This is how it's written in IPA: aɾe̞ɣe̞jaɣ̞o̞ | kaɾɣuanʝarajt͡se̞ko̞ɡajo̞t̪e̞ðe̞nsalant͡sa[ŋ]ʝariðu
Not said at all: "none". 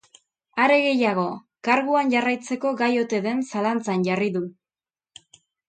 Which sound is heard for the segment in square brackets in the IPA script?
n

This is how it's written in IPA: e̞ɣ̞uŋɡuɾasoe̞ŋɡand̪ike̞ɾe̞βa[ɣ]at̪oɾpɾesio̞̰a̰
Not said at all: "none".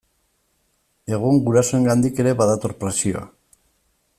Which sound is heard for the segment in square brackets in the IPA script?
ð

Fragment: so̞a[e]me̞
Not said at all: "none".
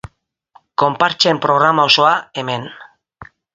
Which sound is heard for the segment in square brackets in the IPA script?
e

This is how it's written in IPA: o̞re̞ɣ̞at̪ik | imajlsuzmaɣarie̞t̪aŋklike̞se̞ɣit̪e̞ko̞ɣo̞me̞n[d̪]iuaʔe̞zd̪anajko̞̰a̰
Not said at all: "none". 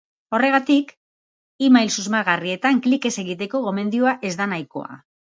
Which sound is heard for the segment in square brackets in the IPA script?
d̪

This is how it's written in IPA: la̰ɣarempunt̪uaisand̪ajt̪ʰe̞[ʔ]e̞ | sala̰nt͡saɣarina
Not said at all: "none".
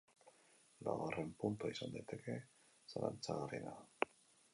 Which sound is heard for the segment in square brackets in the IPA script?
k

